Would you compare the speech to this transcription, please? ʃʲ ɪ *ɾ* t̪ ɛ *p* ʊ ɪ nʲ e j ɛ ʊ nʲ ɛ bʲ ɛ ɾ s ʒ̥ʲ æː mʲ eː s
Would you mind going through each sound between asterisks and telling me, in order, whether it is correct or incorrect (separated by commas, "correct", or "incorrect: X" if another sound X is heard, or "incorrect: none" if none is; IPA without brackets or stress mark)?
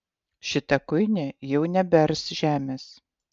incorrect: none, incorrect: k